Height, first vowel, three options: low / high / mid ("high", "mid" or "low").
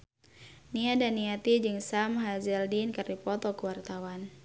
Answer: high